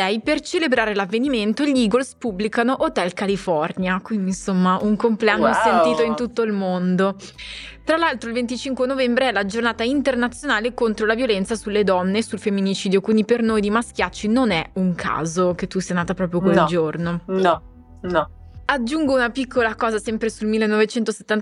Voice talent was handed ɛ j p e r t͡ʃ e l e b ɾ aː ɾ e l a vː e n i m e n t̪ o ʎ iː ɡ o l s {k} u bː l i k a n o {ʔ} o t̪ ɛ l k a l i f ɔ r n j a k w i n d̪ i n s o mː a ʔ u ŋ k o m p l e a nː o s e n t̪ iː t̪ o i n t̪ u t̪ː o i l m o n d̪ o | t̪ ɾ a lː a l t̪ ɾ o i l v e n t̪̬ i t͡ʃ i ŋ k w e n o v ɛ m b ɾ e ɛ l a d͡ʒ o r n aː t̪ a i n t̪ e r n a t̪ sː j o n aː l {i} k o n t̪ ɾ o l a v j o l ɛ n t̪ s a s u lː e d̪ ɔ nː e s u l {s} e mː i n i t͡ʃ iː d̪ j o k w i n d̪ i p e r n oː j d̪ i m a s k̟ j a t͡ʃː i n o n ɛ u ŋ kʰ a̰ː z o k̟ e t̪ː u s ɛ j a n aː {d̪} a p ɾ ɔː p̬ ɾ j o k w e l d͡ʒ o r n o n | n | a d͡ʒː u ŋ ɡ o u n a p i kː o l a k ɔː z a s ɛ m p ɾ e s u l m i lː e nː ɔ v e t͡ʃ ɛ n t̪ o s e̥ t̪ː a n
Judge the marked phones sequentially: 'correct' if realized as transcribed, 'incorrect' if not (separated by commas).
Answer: incorrect, correct, incorrect, incorrect, incorrect